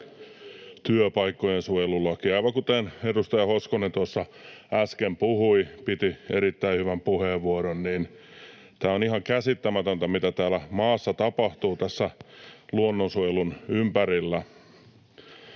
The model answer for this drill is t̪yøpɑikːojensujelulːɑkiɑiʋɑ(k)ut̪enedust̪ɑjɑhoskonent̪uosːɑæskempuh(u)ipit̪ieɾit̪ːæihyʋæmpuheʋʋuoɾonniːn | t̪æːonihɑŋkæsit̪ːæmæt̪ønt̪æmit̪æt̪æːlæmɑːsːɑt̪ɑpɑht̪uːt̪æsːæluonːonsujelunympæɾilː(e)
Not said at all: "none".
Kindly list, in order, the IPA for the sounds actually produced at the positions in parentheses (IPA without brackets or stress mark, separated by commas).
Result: k, u, æ